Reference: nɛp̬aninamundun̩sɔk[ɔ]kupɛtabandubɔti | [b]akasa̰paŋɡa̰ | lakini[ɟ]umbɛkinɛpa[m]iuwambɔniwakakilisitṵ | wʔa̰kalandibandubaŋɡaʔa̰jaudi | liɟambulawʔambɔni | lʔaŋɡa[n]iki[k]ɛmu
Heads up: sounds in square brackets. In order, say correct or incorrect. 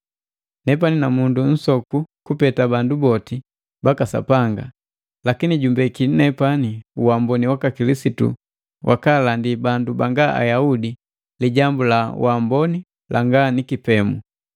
incorrect, correct, correct, incorrect, correct, incorrect

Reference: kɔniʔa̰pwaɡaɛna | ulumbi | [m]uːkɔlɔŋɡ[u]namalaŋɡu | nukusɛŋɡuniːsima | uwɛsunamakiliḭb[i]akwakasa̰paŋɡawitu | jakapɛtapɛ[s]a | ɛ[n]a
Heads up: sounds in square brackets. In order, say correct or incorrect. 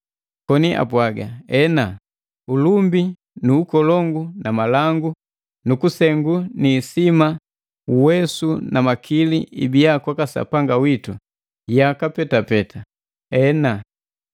incorrect, correct, correct, incorrect, correct

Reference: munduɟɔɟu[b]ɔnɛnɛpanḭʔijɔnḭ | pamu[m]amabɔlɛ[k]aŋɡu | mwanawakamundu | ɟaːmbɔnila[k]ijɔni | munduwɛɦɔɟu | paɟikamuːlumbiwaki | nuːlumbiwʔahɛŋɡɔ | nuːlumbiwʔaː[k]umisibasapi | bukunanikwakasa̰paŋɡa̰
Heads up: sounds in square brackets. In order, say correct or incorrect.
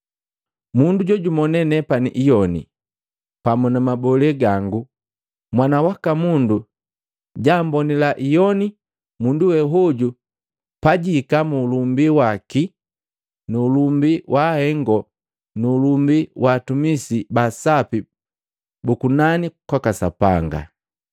incorrect, incorrect, incorrect, incorrect, incorrect

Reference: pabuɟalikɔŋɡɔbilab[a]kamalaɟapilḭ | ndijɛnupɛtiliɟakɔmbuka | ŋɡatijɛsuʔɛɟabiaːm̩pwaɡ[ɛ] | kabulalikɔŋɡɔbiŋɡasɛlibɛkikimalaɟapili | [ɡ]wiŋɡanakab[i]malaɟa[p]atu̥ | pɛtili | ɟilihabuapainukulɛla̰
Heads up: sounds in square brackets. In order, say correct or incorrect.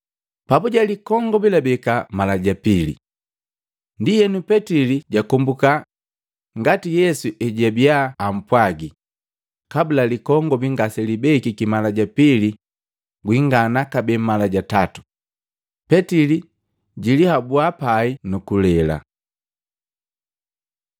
incorrect, incorrect, correct, incorrect, incorrect

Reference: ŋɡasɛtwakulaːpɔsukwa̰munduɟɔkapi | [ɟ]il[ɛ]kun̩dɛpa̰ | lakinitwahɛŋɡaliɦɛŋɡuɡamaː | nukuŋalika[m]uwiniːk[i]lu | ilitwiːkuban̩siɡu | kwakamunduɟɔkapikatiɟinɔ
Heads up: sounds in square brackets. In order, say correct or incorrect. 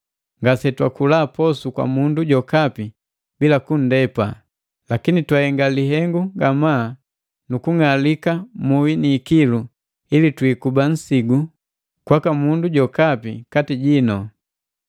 incorrect, incorrect, correct, correct

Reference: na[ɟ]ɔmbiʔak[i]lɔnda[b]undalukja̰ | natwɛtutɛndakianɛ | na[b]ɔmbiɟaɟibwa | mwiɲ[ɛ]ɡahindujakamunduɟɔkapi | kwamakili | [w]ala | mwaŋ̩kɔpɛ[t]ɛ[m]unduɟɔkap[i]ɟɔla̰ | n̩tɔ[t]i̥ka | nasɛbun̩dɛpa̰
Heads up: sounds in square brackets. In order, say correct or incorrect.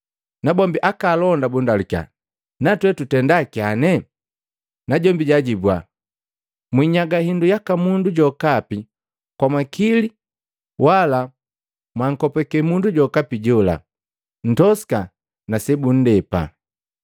incorrect, incorrect, correct, incorrect, incorrect, correct, incorrect, correct, correct, incorrect

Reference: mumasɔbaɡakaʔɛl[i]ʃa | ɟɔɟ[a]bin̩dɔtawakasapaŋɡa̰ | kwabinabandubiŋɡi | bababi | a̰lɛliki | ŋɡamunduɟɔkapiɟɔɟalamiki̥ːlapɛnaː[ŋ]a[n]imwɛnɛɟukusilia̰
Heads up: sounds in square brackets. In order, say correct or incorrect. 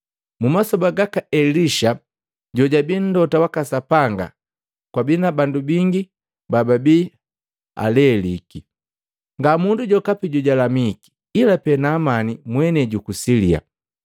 correct, correct, incorrect, correct

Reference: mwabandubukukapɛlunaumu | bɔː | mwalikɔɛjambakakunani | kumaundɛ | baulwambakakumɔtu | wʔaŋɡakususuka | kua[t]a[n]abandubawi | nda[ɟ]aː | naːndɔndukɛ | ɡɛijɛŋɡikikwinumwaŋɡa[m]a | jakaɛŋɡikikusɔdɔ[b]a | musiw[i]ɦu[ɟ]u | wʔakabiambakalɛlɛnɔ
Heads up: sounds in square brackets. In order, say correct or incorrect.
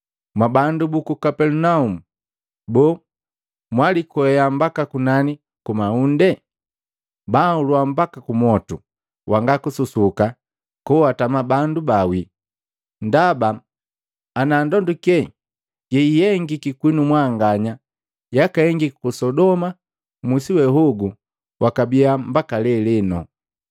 correct, incorrect, incorrect, incorrect, incorrect, incorrect, incorrect

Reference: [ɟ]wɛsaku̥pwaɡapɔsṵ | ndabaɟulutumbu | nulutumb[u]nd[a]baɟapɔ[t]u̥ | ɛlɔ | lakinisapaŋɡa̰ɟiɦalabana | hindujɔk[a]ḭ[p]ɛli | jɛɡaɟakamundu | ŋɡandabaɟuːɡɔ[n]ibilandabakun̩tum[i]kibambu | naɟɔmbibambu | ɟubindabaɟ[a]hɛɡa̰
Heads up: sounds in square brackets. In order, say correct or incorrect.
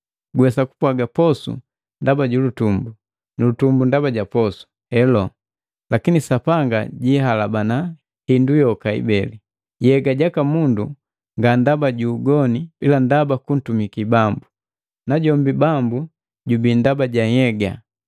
incorrect, correct, correct, incorrect, correct, incorrect, correct, correct, correct

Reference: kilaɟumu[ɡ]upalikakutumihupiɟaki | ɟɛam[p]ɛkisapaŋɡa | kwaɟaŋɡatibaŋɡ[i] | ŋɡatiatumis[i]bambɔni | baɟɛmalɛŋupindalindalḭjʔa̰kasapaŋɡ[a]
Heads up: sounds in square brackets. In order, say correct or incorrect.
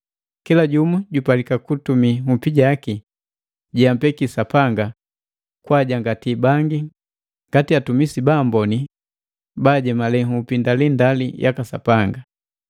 incorrect, correct, correct, correct, correct

